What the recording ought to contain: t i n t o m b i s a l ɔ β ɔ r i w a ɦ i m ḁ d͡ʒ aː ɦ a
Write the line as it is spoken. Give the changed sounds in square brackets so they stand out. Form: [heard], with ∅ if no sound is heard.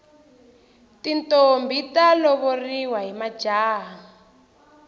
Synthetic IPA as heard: t i n t o m b i [t] a l ɔ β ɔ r i w a ɦ i m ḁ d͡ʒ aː ɦ a